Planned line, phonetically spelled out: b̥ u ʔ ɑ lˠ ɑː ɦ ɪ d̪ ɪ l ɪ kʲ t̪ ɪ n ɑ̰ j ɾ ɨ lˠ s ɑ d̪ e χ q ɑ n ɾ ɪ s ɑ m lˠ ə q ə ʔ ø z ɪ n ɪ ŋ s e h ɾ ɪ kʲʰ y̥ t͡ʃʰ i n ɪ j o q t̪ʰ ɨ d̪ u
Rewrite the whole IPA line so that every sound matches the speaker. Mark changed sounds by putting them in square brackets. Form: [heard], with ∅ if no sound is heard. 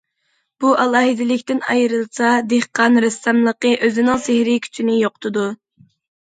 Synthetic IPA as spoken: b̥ u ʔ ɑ lˠ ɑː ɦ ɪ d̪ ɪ l ɪ kʲ t̪ ɪ n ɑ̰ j ɾ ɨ lˠ s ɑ d̪ e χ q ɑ n ɾ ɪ s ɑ m lˠ ə q ə ʔ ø z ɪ n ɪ ŋ s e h ɾ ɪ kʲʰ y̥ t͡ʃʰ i n ɪ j o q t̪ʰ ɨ d̪ u